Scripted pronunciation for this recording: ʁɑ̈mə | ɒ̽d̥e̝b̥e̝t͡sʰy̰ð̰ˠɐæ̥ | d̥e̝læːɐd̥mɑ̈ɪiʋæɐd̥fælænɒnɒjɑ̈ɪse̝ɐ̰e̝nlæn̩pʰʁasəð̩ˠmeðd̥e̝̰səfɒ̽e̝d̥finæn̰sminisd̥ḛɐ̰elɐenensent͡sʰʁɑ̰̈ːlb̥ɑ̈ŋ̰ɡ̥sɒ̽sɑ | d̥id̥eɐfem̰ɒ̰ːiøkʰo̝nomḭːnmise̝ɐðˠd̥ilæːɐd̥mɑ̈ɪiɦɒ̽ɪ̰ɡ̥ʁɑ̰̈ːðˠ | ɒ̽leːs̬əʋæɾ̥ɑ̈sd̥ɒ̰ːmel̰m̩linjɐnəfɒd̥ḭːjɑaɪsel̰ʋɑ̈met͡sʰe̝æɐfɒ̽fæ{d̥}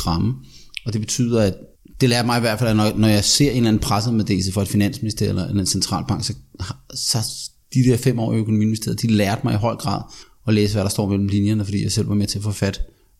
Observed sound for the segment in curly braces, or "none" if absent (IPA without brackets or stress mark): d̥